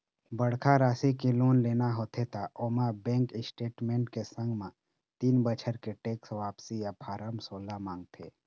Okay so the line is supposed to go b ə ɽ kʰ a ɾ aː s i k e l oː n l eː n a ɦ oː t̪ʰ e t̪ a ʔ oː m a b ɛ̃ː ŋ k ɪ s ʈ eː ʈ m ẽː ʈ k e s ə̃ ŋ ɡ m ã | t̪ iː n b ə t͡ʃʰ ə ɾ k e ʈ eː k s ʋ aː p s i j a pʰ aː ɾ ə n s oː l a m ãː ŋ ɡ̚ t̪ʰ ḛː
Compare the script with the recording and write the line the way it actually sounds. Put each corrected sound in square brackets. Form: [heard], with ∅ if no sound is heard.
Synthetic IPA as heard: b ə ɽ kʰ a ɾ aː s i k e l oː n l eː n a ɦ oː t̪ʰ e t̪ a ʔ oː m a b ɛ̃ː ŋ k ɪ s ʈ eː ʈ m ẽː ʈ k e s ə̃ ŋ ɡ m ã | t̪ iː n b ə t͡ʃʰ ə ɾ k e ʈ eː k s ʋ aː p s i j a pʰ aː ɾ ə [m] s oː l a m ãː ŋ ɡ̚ t̪ʰ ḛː